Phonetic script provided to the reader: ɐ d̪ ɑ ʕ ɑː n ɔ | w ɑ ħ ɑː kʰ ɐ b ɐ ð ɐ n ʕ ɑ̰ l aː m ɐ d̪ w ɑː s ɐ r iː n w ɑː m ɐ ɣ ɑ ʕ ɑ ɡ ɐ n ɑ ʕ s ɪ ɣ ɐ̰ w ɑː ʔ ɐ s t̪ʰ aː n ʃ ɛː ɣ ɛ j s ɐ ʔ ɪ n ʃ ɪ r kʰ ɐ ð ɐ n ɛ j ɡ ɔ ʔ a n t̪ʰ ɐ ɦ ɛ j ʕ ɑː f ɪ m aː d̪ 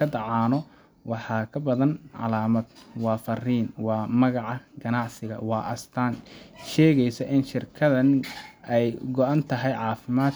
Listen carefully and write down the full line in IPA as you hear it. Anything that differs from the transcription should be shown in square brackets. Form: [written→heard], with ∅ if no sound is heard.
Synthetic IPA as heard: ɐ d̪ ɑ ʕ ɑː n ɔ | w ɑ ħ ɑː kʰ ɐ b ɐ ð ɐ n ʕ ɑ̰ l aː m ɐ d̪ w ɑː [s→f] ɐ r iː n w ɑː m ɐ ɣ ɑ ʕ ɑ ɡ ɐ n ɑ ʕ s ɪ ɣ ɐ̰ w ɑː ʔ ɐ s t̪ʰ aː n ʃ ɛː ɣ ɛ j s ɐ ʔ ɪ n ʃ ɪ r kʰ ɐ ð ɐ n ɛ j ɡ ɔ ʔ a n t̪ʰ ɐ ɦ ɛ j ʕ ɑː f ɪ m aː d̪